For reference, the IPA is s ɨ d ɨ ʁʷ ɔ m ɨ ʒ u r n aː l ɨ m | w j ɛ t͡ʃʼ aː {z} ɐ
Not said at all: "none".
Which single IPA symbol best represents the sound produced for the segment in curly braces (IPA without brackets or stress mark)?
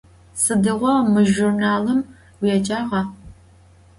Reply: ʁ